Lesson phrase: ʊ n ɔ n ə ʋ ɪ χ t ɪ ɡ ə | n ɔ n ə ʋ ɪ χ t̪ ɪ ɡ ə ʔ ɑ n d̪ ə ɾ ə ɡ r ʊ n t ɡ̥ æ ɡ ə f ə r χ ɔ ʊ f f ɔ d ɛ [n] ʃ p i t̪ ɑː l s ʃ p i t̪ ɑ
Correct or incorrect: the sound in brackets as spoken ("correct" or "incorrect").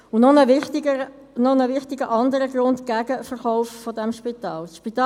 incorrect